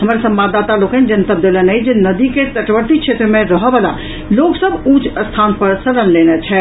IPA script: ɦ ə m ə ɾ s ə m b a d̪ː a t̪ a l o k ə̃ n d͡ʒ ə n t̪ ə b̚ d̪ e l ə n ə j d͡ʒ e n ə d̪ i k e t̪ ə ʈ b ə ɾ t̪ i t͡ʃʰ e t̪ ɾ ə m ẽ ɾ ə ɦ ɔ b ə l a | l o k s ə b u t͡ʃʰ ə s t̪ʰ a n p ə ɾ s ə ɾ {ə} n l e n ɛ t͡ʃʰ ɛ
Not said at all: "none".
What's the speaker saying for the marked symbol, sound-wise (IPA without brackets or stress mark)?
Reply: ə